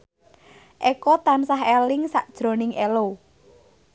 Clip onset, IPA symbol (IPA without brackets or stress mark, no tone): ʔ